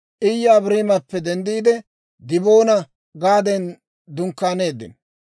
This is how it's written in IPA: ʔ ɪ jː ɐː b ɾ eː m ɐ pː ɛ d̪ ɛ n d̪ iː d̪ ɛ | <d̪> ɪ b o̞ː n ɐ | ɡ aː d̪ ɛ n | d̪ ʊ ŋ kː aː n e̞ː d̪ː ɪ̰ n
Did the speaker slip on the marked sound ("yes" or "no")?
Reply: no